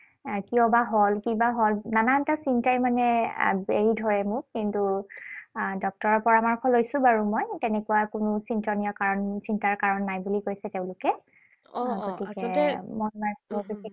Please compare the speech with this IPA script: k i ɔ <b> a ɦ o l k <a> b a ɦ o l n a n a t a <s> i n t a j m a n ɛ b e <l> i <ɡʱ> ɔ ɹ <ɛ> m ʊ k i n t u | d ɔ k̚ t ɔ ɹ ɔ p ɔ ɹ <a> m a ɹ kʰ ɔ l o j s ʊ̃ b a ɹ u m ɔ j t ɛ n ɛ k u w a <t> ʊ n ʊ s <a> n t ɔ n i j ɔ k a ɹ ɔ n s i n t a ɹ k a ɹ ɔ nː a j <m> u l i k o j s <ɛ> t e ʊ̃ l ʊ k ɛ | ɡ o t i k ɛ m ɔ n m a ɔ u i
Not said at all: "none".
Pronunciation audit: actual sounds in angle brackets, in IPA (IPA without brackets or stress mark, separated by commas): b, i, s, ɹ, dʱ, ɛ, a, k, i, b, ɛ